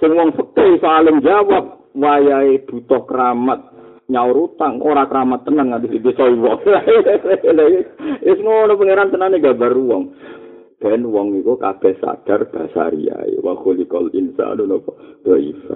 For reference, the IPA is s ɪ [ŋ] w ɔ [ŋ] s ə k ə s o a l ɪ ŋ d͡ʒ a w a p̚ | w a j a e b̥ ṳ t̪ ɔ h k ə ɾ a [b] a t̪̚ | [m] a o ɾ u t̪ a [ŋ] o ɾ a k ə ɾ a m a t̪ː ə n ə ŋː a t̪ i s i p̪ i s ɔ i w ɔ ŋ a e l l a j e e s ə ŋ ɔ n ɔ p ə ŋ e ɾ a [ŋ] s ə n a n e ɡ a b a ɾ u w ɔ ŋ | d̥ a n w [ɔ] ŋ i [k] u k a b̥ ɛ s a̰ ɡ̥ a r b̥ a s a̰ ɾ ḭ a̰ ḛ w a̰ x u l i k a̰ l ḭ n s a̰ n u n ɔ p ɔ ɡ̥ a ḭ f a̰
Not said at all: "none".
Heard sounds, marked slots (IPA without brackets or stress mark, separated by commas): ŋ, ŋ, m, ɲ, ŋ, n, ɔ, k